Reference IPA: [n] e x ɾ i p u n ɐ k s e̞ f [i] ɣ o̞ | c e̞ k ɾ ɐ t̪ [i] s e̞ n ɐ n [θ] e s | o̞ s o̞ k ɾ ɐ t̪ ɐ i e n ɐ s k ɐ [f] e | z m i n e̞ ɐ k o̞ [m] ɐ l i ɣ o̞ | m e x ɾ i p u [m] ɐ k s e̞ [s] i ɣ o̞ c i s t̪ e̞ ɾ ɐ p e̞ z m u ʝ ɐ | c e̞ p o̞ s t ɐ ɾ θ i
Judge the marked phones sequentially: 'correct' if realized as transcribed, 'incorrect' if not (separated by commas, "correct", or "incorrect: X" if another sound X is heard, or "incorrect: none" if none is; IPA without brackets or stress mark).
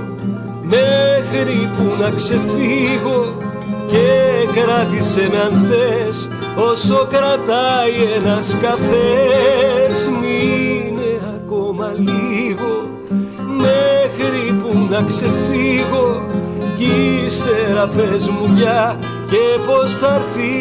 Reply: incorrect: m, correct, correct, correct, correct, correct, incorrect: n, incorrect: f